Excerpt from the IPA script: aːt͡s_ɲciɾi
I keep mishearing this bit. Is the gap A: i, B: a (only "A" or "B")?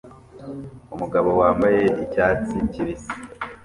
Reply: A